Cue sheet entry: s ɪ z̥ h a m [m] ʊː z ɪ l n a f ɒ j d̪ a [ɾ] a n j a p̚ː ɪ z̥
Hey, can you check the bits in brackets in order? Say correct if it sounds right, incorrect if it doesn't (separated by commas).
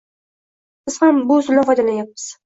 incorrect, incorrect